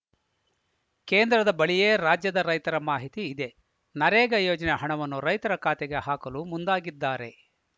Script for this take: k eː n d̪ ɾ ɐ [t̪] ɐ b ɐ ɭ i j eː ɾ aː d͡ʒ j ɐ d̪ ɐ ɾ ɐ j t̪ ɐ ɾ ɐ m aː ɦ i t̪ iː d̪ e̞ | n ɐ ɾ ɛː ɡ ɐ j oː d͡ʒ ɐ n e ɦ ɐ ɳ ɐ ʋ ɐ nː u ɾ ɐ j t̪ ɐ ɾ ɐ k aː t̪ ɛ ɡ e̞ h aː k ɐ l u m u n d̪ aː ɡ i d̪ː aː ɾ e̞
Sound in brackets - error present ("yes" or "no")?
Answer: yes